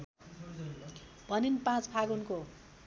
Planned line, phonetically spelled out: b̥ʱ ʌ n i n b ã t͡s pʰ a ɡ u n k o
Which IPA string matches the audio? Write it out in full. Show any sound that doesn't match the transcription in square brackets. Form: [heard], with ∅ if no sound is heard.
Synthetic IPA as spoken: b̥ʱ ʌ n i n [p] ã t͡s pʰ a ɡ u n k o